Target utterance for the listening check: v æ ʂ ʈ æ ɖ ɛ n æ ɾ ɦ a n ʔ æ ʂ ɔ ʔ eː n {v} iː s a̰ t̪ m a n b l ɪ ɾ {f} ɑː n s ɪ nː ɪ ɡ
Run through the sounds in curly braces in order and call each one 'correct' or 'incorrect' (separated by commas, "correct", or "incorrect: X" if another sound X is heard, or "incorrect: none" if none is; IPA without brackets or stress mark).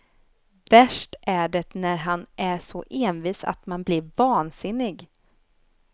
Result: correct, incorrect: v